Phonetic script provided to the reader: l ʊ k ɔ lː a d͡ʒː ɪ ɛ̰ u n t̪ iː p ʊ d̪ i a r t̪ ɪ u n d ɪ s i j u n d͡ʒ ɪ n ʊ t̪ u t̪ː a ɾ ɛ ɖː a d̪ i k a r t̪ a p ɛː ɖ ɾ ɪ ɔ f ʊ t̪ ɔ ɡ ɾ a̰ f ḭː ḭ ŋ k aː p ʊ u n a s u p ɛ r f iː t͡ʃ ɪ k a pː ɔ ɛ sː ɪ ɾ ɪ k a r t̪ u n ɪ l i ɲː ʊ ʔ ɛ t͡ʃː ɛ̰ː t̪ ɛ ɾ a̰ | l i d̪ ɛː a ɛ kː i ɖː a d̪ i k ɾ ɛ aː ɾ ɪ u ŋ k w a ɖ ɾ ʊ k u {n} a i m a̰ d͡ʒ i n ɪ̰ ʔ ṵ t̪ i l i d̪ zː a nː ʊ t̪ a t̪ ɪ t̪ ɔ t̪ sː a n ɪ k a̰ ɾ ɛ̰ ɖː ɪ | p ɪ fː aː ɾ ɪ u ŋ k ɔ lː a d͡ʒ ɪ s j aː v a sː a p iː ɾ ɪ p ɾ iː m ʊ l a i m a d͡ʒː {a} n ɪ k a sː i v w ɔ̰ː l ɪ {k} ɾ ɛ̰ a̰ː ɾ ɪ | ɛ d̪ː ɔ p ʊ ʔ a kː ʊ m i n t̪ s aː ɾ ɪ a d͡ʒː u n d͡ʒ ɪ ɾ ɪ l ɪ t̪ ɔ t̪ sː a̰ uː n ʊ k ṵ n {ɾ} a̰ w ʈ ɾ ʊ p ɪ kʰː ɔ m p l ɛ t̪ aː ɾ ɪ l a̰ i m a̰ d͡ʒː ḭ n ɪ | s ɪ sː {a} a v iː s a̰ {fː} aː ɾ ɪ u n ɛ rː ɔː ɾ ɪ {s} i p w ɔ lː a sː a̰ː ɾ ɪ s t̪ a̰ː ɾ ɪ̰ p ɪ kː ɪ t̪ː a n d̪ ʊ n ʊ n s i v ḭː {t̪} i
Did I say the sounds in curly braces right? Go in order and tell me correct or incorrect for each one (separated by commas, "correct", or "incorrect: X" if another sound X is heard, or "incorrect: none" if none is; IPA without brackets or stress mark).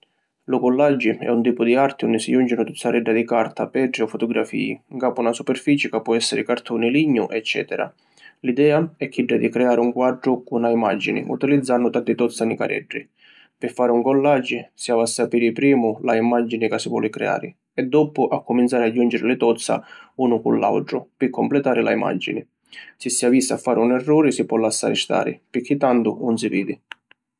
correct, incorrect: i, correct, incorrect: l, incorrect: i, correct, correct, incorrect: d̪